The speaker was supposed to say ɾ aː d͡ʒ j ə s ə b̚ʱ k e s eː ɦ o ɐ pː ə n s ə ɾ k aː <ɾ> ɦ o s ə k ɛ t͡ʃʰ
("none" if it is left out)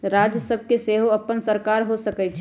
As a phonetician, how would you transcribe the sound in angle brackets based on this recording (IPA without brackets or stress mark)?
ɾ